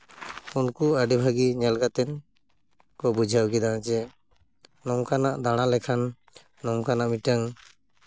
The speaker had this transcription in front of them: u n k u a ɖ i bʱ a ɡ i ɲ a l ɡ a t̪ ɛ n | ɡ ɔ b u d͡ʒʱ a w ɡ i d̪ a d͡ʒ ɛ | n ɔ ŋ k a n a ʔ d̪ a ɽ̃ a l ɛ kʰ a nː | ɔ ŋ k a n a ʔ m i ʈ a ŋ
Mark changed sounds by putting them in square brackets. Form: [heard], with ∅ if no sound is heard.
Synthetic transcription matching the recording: u n k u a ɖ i bʱ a ɡ i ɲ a l ɡ a t̪ ɛ n | [k] ɔ b u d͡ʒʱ a w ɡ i d̪ a d͡ʒ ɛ | n ɔ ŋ k a n a ʔ d̪ a ɽ̃ a l ɛ kʰ a nː | ɔ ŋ k a n a ʔ m i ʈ a ŋ